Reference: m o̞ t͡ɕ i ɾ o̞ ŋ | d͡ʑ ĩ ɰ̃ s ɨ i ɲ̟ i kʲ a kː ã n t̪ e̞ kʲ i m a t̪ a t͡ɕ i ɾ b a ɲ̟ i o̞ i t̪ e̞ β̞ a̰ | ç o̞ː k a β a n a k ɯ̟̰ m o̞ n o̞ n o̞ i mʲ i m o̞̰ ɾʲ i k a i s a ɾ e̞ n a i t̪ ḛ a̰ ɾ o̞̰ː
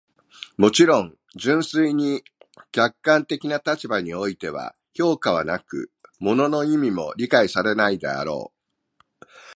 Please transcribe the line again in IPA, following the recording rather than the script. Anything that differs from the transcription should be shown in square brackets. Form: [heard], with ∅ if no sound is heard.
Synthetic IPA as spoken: m o̞ t͡ɕ i ɾ [õ̞] ŋ | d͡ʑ [ɨ̃] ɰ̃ s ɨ i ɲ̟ i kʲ a kː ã n t̪ e̞ kʲ i [n] a t̪ a t͡ɕ i [∅] b a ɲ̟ i o̞ i t̪ e̞ β̞ a̰ | ç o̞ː k a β a n a k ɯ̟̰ m o̞ n o̞ n o̞ i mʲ i m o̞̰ ɾʲ i k a i s a ɾ e̞ n a i [d̪] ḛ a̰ ɾ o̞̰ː